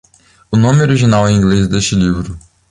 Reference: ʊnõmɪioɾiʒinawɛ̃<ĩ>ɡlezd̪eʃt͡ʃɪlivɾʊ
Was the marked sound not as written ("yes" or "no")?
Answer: no